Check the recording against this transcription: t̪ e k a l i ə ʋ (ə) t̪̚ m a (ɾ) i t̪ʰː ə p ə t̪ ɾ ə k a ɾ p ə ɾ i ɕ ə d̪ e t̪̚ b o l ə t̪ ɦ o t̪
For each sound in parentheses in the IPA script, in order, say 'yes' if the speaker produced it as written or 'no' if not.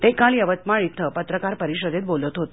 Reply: yes, no

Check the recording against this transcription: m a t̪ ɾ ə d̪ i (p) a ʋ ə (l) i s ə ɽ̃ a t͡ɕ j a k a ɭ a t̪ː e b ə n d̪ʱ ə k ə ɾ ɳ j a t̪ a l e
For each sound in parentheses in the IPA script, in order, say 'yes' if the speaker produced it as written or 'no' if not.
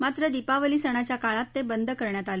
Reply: yes, yes

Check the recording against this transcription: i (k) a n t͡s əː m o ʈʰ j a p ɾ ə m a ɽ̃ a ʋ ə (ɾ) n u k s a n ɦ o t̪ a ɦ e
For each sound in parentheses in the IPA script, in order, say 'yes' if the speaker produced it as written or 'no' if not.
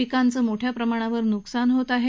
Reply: yes, yes

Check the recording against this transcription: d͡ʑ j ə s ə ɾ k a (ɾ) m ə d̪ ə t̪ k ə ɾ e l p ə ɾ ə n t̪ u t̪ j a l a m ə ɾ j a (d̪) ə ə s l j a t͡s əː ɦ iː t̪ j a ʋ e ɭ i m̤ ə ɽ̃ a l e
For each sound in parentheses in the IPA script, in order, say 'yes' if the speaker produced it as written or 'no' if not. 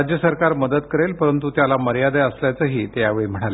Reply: yes, yes

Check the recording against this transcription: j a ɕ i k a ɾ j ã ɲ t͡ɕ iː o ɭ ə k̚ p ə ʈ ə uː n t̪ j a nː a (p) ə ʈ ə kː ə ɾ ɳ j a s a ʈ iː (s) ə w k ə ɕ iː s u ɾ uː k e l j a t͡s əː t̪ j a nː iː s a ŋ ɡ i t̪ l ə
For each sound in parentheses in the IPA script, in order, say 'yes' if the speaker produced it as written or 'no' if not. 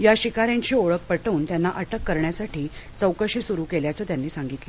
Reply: no, no

